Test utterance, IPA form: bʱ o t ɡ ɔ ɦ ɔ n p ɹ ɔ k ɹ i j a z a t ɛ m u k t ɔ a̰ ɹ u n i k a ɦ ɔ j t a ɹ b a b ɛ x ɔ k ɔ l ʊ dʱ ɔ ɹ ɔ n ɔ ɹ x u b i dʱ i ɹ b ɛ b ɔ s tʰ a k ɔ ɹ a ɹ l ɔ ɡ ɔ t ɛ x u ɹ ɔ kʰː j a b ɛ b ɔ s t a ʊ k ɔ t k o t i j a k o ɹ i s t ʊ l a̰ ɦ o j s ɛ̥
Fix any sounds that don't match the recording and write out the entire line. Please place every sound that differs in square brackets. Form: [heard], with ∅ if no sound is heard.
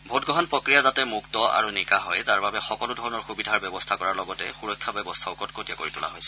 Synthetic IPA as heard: bʱ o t ɡ ɔ ɦ ɔ n p ɹ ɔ k ɹ i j a z a t ɛ m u k t ɔ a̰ ɹ u n i k a ɦ ɔ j t a ɹ b a b ɛ x ɔ k ɔ l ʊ dʱ ɔ ɹ ɔ n ɔ ɹ x u b i dʱ [a] ɹ b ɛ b ɔ s tʰ a k ɔ ɹ a ɹ l ɔ ɡ ɔ t ɛ x u ɹ ɔ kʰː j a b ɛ b ɔ s [tʰ] a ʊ k ɔ t k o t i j a k o ɹ i [∅] t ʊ l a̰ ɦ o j s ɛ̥